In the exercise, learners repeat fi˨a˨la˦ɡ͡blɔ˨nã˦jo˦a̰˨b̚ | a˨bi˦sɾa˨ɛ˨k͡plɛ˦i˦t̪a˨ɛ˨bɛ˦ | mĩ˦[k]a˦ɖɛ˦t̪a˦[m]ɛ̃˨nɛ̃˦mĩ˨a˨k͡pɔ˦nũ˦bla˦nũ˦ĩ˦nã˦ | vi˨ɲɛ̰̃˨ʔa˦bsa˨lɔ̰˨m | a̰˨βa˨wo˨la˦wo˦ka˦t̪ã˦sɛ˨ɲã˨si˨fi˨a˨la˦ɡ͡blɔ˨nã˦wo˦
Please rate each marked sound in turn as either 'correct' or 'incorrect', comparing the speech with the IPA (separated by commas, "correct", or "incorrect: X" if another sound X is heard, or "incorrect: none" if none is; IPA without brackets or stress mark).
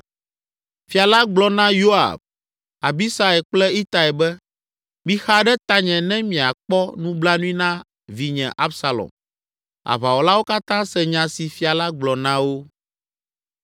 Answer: incorrect: x, incorrect: ɲ